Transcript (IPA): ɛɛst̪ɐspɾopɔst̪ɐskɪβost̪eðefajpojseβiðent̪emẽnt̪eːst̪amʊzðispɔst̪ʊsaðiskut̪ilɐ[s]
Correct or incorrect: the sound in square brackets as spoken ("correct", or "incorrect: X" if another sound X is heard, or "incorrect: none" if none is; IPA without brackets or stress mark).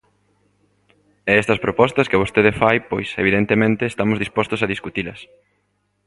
correct